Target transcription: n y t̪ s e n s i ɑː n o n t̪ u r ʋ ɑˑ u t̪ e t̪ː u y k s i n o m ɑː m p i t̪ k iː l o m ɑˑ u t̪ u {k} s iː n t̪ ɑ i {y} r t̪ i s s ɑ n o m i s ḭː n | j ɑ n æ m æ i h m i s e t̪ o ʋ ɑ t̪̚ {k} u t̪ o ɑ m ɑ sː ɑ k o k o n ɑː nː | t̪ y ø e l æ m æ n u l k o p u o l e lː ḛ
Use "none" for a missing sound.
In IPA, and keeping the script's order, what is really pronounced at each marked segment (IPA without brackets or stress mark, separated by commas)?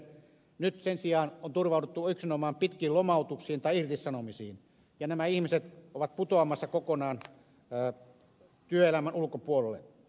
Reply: k, i, p